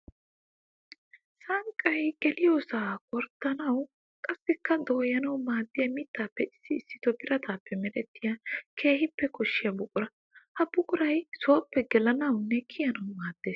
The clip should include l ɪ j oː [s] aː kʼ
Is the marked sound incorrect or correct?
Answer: correct